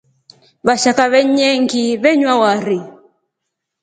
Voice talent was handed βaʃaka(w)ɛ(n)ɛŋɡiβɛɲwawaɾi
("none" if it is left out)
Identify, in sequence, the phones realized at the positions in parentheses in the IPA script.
β, ɲ

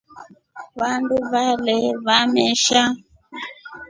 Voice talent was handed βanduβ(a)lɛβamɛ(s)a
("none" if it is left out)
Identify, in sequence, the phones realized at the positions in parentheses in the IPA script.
a, ʃ

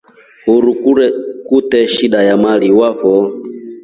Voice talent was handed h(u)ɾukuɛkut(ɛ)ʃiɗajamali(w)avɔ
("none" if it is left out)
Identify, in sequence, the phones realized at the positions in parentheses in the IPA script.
u, ɛ, w

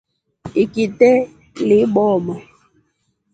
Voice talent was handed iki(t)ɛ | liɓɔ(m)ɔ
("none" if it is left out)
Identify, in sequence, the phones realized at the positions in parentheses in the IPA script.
t, m

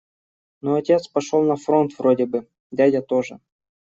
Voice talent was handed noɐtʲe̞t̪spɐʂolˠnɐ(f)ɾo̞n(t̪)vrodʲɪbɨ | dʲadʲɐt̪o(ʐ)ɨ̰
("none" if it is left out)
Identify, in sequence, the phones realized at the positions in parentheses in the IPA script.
f, t̪, ʐ

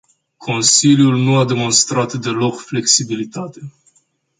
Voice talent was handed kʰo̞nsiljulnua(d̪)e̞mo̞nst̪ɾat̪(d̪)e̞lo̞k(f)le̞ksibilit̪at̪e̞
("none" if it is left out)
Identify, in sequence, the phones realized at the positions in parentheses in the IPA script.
d̪, d̪, f

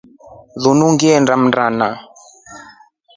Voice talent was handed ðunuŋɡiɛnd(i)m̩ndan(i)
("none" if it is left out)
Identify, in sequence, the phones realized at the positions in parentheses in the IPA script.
a, a

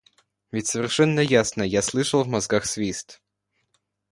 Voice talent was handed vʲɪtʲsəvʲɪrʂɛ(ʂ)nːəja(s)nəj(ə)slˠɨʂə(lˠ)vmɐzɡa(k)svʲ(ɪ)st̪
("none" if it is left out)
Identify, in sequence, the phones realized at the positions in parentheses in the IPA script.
none, s, a, lˠ, x, i

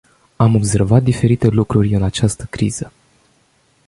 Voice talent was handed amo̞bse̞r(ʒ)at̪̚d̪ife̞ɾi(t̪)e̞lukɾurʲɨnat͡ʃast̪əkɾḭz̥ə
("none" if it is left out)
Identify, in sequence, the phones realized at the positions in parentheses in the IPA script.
v, t̪

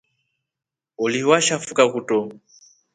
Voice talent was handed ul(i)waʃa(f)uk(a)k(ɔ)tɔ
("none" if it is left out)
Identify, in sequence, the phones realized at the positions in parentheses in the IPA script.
i, f, a, u

